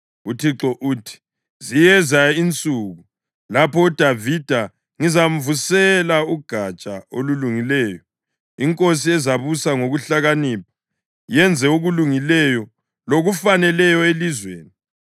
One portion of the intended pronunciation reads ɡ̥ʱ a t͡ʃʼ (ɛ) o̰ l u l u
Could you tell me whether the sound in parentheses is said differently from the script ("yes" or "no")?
yes